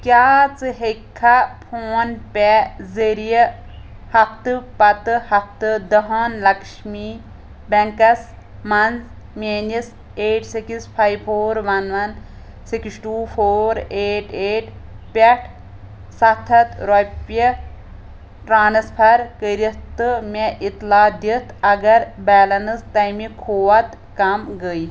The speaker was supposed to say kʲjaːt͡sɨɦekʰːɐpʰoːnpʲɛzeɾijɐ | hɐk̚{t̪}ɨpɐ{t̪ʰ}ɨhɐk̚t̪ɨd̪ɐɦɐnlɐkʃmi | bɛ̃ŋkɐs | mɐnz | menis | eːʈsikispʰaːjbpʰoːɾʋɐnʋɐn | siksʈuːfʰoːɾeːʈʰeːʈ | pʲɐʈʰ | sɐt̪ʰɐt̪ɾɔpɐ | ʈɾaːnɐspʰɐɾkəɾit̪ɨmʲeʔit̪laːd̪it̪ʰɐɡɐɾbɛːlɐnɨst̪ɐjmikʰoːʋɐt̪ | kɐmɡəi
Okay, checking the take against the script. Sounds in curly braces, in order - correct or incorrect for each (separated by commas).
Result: correct, incorrect